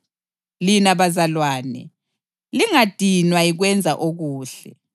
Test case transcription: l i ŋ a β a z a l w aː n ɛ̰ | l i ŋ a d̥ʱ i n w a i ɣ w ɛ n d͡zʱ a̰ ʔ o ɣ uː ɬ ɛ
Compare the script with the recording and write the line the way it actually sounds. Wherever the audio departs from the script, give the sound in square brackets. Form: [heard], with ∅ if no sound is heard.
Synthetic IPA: l i [n] a β a z a l w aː n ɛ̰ | l i ŋ a d̥ʱ i n w a i ɣ w ɛ n d͡zʱ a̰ ʔ o ɣ uː ɬ ɛ